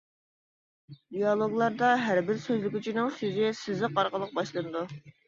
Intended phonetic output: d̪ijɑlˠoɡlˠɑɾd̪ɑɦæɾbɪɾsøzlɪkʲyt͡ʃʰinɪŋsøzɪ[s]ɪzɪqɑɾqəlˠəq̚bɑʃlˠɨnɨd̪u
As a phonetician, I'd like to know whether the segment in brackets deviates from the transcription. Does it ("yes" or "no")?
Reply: no